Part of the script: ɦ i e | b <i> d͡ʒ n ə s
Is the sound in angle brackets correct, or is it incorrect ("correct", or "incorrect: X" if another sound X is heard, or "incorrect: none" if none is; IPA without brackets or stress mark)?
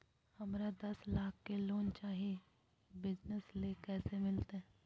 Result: incorrect: ɪ